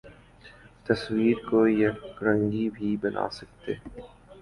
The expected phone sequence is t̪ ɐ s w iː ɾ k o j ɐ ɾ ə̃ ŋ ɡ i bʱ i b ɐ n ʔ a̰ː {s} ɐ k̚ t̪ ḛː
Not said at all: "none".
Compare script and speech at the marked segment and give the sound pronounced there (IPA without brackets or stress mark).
s